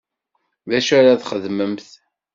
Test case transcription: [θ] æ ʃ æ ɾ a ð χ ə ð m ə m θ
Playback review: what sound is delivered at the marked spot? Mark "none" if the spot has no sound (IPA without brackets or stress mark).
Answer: ð